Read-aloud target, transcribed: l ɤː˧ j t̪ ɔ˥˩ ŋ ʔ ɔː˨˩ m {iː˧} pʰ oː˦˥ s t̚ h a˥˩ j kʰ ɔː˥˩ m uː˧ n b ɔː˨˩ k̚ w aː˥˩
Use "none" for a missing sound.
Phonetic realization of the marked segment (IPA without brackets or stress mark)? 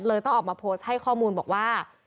aː˧